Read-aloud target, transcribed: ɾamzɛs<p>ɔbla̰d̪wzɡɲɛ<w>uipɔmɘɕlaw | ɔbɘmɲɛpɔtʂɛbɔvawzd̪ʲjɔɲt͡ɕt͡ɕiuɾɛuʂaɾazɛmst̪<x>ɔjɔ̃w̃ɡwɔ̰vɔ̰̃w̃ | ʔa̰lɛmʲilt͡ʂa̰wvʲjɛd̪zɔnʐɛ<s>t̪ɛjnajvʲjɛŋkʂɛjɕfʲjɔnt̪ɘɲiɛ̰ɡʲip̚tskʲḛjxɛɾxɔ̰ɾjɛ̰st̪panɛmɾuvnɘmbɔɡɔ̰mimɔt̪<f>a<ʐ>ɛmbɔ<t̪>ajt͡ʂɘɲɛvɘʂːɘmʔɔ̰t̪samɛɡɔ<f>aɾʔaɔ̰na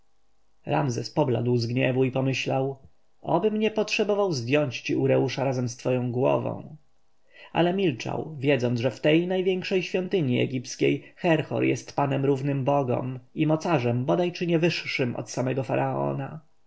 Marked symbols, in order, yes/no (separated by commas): yes, no, no, no, no, yes, no, yes